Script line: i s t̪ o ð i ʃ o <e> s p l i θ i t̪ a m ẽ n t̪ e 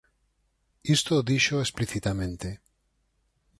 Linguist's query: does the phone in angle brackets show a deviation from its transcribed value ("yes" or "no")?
no